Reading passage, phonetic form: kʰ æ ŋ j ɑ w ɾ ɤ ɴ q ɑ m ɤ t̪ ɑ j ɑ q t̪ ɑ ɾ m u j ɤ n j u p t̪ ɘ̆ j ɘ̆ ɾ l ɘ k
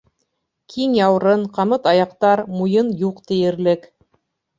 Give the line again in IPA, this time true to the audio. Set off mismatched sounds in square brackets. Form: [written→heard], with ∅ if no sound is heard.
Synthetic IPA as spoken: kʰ [æ→i] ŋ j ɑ w ɾ ɤ ɴ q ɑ m ɤ t̪ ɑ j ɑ q t̪ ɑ ɾ m u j ɤ n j u [p→q] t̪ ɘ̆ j ɘ̆ ɾ l ɘ k

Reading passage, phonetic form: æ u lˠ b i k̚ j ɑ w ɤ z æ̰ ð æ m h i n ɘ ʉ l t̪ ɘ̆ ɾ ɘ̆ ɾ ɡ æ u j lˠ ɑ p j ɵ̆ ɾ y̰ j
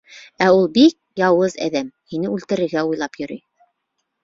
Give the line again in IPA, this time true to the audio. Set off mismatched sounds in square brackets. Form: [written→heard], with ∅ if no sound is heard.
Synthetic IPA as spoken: æ u lˠ b i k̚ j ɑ w ɤ z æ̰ ð æ m h i n ɘ ʉ l t̪ ɘ̆ ɾ ɘ̆ ɾ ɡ æ u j lˠ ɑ p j ɵ̆ ɾ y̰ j

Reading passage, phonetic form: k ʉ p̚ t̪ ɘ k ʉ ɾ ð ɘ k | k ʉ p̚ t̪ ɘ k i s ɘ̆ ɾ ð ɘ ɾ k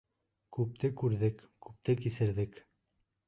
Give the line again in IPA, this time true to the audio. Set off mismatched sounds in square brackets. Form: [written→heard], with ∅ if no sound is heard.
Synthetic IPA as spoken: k ʉ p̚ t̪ ɘ k ʉ ɾ ð ɘ k | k ʉ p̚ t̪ ɘ k i s ɘ̆ ɾ ð ɘ [ɾ→∅] k

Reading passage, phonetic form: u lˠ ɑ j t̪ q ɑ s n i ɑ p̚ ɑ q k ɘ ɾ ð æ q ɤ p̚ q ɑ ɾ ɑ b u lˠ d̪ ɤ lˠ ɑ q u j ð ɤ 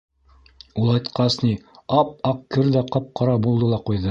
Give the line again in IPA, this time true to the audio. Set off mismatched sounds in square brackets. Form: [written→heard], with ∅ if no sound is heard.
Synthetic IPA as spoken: u lˠ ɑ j t̪ q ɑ s n i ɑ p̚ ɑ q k ɘ ɾ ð æ q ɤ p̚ q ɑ ɾ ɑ b u lˠ d̪ ɤ lˠ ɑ q u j ð ɤ

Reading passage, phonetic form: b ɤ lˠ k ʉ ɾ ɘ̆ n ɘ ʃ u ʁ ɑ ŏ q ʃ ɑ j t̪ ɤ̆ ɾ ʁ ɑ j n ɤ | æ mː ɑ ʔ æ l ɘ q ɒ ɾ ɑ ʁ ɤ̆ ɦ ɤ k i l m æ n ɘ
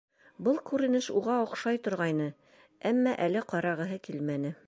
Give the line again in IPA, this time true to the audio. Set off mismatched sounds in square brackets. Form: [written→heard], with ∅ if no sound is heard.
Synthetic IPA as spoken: b ɤ lˠ k ʉ ɾ ɘ̆ n ɘ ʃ u ʁ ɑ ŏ q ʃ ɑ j t̪ [ɤ̆→ŏ] ɾ ʁ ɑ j n ɤ | æ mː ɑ ʔ æ l ɘ q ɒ ɾ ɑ ʁ ɤ̆ ɦ ɤ k i l m æ n ɘ

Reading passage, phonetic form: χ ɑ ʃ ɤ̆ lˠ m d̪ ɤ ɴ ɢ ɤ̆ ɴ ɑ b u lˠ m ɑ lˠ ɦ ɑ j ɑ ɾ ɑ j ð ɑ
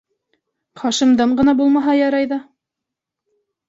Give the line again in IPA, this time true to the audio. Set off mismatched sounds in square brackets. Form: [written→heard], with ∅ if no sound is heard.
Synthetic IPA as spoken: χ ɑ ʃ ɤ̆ [lˠ→∅] m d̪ ɤ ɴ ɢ ɤ̆ [ɴ→n] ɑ b u lˠ m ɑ [lˠ→∅] ɦ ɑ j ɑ ɾ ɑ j ð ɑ

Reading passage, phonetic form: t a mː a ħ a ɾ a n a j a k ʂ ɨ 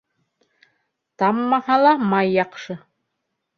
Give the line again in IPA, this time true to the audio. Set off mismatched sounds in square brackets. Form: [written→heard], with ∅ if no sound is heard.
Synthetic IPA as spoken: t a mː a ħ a [ɾ→l] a [n→m] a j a [k→q] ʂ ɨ

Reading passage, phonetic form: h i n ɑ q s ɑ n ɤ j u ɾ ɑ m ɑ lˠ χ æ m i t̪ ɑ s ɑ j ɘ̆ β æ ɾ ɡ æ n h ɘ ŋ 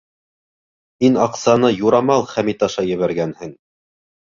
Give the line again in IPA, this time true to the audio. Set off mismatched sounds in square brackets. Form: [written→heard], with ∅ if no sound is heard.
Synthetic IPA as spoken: h i n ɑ q s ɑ n ɤ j u ɾ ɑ m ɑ lˠ χ æ m i t̪ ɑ [s→ʃ] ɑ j ɘ̆ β æ ɾ ɡ æ n h ɘ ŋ

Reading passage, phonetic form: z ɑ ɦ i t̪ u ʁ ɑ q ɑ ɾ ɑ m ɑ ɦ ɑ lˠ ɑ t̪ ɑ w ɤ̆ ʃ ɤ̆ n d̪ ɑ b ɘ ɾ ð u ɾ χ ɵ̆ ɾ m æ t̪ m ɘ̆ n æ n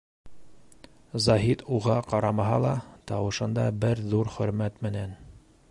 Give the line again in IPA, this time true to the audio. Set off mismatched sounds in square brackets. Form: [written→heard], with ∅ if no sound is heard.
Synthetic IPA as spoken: z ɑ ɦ i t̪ u ʁ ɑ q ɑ ɾ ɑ m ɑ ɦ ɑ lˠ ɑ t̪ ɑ w ɤ̆ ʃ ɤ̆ n d̪ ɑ b ɘ ɾ ð u ɾ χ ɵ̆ ɾ m æ t̪ m ɘ̆ n æ n

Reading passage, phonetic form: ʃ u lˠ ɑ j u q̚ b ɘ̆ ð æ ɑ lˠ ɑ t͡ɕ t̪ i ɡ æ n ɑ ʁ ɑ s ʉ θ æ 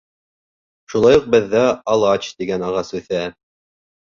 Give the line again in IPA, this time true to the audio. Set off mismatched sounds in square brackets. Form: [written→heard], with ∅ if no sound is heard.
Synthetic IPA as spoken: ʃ u lˠ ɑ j u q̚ b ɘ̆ [ð→ðː] æ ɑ lˠ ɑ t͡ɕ t̪ i ɡ æ n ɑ ʁ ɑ s ʉ θ æ

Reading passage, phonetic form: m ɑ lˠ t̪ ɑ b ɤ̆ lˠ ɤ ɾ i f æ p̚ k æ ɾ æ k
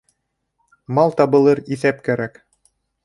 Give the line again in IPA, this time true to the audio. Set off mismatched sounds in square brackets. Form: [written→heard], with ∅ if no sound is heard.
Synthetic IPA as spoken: m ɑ lˠ t̪ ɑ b ɤ̆ lˠ ɤ ɾ i [f→θ] æ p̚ k æ ɾ æ k

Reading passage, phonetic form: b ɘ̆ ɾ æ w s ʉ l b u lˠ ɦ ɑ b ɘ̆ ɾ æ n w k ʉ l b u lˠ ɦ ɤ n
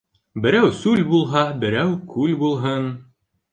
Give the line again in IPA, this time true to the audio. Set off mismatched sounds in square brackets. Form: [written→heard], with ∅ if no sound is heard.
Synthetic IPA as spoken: b ɘ̆ ɾ æ w s ʉ l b u lˠ ɦ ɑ b ɘ̆ ɾ æ [n→∅] w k ʉ l b u lˠ ɦ ɤ n

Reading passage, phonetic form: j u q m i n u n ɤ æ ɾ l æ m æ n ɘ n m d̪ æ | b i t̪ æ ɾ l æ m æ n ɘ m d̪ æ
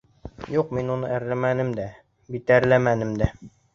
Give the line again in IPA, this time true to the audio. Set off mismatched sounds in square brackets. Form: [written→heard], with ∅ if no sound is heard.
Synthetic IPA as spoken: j u q m i n u n ɤ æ ɾ l æ m æ n ɘ [n→∅] m d̪ æ | b i t̪ æ ɾ l æ m æ n ɘ m d̪ æ

